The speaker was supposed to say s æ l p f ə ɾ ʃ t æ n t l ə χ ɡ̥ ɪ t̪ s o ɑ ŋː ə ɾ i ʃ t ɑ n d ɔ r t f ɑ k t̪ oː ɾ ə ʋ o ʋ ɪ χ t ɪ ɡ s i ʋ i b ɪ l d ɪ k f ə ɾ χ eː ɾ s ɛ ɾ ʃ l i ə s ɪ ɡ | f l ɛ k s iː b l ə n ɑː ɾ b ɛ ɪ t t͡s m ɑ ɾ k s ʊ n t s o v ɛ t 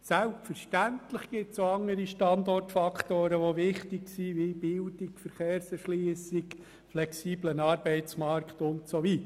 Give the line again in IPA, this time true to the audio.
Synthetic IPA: s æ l p f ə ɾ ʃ t æ n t l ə χ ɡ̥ ɪ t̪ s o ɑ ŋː ə ɾ i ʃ t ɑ n d ɔ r t f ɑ k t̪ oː ɾ ə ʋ o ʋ ɪ χ t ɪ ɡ s i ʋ i b ɪ l d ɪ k f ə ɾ χ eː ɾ s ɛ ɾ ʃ l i ə s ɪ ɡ | f l ɛ k s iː b l ə n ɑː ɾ b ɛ ɪ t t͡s m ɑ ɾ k t ʊ n t s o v i t

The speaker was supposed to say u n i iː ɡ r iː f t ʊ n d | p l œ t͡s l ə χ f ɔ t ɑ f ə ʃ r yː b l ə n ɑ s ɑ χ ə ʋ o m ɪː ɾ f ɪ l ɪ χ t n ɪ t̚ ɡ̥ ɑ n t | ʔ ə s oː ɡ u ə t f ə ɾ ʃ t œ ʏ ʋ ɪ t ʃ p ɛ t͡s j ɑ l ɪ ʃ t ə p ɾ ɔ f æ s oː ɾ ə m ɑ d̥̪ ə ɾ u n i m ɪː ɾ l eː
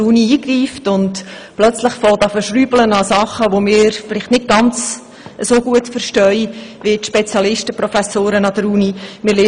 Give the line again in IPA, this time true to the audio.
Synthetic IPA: u n i iː ɡ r iː f t ʊ n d | p l œ t͡s l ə χ f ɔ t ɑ f ə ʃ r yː b l ə n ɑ s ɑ χ ə ʋ o m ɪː ɾ f ɪ l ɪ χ t n ɪ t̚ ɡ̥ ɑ n t͡s | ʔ ə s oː ɡ u ə t f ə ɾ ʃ t œ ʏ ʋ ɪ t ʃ p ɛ t͡s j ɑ l ɪ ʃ t ə p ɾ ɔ f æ s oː ɾ ə n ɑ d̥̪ ə ɾ u n i m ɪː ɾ l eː

